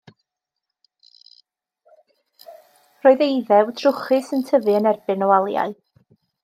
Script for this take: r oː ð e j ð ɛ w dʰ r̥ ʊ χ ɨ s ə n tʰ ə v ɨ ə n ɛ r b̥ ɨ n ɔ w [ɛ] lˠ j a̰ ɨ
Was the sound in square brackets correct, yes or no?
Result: no